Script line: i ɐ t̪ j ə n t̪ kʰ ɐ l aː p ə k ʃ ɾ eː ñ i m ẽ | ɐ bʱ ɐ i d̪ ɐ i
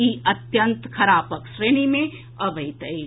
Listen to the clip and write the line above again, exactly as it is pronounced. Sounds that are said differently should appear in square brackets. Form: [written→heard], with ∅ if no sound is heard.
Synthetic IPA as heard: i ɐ t̪ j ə n t̪ kʰ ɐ [l→ɾ] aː p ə k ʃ ɾ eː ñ i m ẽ | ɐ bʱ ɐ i [d̪→t̪] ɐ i